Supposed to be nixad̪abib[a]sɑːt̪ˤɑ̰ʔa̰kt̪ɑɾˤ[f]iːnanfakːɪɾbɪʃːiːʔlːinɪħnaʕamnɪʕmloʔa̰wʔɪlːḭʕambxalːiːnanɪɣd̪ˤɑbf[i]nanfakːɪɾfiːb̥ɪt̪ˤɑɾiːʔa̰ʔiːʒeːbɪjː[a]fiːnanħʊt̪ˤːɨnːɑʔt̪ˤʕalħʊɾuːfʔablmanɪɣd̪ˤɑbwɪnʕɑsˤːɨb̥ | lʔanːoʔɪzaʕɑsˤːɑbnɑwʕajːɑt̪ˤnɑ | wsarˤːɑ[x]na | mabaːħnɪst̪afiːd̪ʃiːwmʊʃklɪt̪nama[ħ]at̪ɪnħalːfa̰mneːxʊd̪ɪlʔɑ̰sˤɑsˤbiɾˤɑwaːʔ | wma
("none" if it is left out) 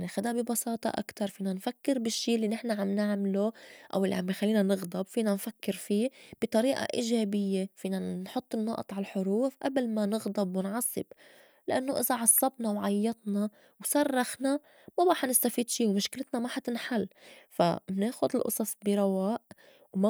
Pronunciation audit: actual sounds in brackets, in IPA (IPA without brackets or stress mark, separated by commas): ɑ, f, iː, e, x, ħ